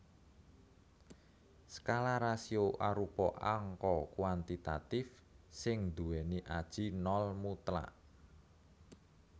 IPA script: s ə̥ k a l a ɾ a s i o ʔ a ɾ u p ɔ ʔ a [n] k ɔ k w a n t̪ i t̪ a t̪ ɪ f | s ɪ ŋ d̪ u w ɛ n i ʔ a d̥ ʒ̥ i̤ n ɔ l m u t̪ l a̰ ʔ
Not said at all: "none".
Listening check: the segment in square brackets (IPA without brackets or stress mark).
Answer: ŋ